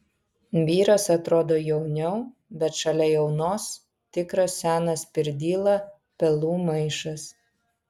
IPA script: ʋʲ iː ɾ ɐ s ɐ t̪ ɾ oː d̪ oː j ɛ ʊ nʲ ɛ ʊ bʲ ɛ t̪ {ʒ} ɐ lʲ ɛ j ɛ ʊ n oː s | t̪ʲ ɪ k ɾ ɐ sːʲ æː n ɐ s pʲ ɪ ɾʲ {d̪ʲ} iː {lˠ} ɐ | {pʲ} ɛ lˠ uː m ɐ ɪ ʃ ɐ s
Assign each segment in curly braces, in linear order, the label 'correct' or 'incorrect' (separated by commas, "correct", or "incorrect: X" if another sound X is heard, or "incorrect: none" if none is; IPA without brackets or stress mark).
incorrect: ʃ, correct, correct, correct